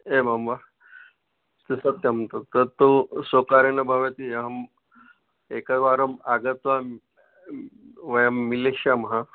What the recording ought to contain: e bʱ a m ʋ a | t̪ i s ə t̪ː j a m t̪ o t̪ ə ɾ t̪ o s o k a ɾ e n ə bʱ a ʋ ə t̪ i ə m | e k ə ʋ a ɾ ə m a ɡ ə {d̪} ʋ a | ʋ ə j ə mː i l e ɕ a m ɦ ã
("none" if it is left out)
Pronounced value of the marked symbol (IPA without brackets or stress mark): t̪